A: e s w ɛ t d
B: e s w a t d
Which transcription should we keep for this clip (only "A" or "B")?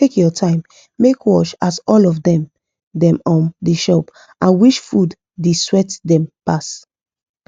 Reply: A